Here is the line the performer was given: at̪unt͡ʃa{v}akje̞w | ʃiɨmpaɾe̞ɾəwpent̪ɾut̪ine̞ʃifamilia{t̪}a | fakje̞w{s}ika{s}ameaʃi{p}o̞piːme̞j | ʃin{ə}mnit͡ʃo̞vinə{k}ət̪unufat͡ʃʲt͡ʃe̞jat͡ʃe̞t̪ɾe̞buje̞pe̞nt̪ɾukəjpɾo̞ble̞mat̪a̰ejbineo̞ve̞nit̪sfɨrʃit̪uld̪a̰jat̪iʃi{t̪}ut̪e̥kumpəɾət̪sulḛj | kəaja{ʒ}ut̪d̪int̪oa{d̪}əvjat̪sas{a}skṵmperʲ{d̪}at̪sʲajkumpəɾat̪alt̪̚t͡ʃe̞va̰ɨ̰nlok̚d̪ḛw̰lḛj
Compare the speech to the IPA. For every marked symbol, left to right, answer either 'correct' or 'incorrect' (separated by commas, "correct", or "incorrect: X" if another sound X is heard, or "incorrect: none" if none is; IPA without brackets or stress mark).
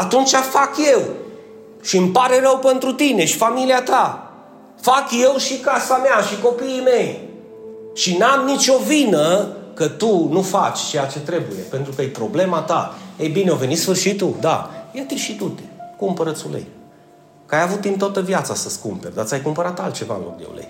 incorrect: f, correct, incorrect: ʃ, correct, incorrect: k, incorrect: a, correct, correct, incorrect: v, incorrect: t̪, incorrect: ə, correct